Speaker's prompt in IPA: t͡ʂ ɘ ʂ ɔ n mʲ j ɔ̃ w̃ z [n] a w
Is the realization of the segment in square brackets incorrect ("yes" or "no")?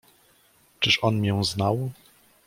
no